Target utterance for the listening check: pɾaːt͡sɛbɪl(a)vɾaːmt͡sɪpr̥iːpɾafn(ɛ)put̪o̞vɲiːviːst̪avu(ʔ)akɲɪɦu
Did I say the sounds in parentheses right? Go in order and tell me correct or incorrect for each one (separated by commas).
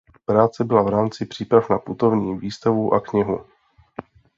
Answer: correct, incorrect, correct